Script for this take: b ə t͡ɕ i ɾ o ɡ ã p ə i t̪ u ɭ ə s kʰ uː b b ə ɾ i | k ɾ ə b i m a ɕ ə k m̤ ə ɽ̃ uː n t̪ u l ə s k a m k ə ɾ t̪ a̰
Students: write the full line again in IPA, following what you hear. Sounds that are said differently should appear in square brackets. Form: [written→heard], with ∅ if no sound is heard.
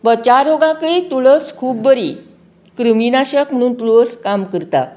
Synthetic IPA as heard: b ə t͡ɕ [i→a] ɾ o ɡ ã [p→k] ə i t̪ u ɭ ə s kʰ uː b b ə ɾ i | k ɾ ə [b→m] i [m→n] a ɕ ə k m̤ ə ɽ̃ uː n t̪ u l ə s k a m k ə ɾ t̪ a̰